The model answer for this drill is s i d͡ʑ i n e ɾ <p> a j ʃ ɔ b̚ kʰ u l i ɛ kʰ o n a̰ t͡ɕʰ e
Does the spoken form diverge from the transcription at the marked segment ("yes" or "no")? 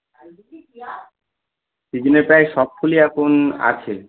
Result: no